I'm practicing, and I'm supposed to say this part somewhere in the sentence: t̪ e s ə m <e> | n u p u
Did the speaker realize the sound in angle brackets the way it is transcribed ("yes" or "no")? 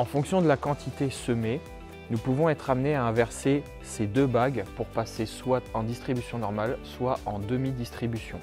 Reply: yes